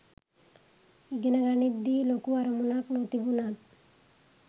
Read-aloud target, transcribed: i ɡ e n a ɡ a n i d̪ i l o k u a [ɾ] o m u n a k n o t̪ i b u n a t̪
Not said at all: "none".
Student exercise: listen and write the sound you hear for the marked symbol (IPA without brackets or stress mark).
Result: ɾ